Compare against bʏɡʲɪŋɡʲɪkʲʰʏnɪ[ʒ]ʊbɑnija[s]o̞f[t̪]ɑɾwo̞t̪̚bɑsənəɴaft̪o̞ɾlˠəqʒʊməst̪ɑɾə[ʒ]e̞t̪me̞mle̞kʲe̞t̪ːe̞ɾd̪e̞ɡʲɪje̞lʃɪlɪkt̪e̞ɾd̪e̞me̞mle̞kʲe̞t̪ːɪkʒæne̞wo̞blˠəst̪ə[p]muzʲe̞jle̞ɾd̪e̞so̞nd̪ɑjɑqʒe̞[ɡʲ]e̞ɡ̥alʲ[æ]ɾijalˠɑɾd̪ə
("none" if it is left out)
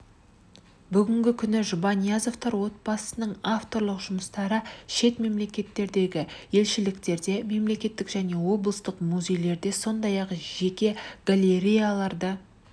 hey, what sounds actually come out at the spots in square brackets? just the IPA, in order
ʒ, z, t̪, ʃ, q, kʲ, e

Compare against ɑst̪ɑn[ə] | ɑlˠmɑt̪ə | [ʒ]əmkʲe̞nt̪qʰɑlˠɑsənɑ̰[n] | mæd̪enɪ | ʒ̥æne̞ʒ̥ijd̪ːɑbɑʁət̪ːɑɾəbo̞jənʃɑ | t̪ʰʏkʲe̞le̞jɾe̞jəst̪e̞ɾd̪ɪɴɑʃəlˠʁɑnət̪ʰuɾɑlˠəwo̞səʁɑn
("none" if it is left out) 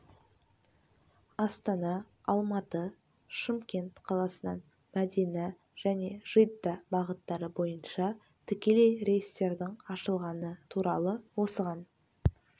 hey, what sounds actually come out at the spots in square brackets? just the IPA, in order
ɑ, ʃ, n

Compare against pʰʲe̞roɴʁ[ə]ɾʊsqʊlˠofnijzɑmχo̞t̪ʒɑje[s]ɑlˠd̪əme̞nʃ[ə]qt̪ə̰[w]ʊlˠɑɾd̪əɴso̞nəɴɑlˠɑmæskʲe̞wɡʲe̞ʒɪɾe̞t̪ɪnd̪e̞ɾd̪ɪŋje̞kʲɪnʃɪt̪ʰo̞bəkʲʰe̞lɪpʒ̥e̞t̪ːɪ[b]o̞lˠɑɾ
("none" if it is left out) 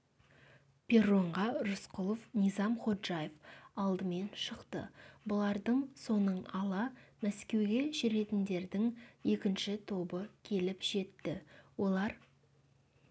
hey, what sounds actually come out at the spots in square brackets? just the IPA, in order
ɑ, f, ə, b, w

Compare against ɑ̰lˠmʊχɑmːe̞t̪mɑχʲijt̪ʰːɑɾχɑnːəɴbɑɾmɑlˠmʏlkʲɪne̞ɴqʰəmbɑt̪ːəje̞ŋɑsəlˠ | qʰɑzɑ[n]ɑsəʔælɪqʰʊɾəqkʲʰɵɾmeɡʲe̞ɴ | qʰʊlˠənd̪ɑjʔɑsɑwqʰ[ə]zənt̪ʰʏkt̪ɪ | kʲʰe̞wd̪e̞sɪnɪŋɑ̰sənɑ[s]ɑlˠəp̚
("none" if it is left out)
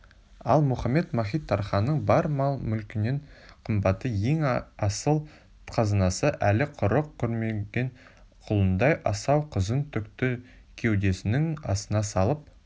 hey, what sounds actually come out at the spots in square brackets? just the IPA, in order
n, ə, s

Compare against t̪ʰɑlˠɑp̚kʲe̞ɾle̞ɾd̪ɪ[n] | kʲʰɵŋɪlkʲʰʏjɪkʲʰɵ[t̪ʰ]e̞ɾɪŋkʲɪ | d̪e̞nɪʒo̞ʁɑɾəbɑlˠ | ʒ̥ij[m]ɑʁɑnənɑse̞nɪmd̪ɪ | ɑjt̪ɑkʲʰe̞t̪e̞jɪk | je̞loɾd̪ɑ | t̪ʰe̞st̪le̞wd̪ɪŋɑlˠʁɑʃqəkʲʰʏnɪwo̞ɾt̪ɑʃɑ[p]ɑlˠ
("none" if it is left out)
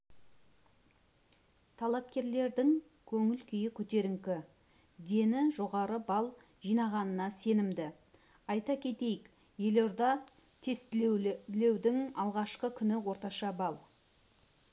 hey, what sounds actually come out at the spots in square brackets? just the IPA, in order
ŋ, t̪, n, b

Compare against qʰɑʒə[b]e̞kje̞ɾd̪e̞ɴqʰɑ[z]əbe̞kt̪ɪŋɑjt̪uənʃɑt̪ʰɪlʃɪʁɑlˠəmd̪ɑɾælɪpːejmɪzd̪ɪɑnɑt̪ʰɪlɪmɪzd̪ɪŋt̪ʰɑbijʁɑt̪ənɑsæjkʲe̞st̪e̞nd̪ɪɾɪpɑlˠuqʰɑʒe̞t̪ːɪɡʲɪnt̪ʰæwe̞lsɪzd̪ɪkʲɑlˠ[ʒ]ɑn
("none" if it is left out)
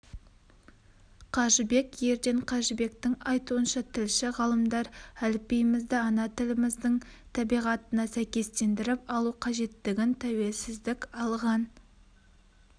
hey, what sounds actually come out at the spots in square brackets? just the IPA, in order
b, ʒ, ʁ

